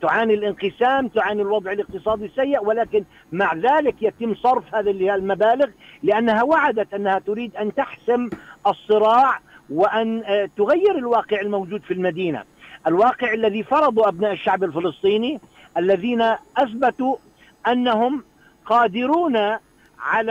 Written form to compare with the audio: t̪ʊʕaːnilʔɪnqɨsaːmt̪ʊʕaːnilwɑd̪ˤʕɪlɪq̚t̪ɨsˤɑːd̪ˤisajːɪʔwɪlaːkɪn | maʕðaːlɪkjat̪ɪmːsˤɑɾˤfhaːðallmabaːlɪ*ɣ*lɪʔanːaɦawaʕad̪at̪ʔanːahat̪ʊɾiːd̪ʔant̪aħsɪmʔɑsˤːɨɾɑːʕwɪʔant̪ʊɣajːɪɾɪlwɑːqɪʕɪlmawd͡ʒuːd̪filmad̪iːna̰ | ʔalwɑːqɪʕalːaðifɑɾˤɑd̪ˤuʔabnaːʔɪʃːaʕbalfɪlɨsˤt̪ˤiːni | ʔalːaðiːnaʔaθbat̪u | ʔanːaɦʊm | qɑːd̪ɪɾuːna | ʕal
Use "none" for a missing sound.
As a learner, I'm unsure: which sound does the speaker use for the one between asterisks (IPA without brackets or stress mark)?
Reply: ɣ